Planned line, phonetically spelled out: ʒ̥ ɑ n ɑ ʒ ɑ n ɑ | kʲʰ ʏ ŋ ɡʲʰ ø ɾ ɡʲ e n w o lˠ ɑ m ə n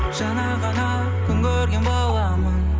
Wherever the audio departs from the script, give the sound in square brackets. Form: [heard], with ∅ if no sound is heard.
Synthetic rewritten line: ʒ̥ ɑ n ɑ [ʁ] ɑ n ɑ | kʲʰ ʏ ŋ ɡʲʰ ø ɾ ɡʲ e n [b] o lˠ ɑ m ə n